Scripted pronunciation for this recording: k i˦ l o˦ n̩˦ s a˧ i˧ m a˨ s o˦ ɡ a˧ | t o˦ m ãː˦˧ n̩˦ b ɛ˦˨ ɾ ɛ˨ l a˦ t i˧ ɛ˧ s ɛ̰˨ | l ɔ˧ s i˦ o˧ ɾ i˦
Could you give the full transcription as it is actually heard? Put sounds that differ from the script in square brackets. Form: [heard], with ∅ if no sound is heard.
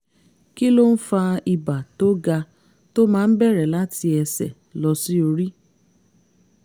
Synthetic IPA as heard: k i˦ l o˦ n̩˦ [f] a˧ i˧ [b] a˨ [t] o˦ ɡ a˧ | t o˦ m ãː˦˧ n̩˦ b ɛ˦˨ ɾ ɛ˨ l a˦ t i˧ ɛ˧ s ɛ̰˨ | l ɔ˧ s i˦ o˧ ɾ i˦